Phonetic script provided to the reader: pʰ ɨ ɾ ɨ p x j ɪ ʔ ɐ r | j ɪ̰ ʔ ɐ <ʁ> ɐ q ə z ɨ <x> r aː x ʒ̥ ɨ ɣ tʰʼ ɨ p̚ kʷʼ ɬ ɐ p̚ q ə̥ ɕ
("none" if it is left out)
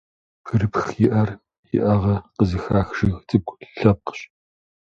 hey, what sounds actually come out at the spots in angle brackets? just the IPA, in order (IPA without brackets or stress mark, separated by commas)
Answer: ʁ, x